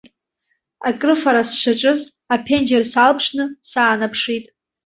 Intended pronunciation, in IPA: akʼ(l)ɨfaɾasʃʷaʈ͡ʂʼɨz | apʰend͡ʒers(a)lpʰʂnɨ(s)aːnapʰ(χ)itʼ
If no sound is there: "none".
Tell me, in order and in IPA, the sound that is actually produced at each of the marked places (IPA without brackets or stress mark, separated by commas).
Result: r, a, s, ʂ